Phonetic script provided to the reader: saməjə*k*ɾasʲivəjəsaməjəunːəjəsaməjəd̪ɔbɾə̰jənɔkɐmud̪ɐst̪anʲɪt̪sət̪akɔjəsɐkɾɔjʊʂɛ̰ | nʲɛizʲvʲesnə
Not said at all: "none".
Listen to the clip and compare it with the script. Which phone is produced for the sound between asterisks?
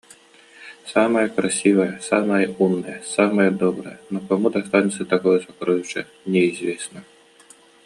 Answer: k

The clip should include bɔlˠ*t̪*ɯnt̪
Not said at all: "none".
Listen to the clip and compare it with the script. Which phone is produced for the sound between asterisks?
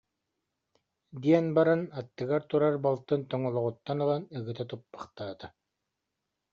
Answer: t̪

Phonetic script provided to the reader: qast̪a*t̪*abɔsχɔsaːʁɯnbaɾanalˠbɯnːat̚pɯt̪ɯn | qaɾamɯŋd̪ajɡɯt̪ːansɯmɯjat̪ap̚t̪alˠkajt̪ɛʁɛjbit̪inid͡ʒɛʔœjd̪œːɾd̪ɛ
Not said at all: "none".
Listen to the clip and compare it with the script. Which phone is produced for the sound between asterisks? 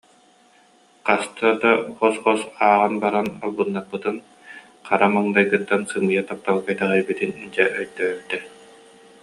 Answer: d̪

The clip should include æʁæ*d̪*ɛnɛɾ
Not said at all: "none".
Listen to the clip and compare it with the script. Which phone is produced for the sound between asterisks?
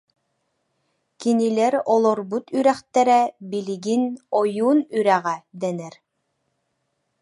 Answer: d̪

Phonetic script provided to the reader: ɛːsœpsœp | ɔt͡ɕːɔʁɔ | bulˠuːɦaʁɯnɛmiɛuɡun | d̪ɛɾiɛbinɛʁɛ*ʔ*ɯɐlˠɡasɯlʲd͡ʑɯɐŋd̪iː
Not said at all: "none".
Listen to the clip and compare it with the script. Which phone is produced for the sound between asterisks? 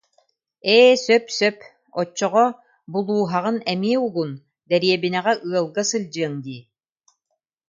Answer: ʔ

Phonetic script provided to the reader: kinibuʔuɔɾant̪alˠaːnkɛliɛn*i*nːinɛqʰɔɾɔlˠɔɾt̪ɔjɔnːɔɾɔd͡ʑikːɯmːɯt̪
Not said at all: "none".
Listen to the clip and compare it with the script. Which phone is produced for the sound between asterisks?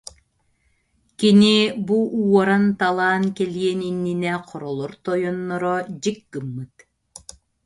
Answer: i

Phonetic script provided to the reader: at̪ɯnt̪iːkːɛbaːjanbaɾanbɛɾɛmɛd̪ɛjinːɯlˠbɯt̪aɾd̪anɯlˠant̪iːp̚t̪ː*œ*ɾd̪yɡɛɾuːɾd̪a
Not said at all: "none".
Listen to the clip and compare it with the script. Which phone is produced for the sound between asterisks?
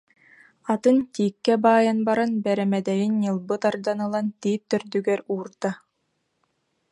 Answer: œ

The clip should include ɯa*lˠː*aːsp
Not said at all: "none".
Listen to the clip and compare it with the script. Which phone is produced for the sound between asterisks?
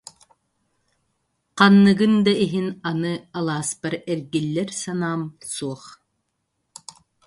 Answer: lˠ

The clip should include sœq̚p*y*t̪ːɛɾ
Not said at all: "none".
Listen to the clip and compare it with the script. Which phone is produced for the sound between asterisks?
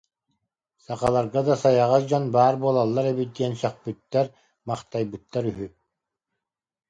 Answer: y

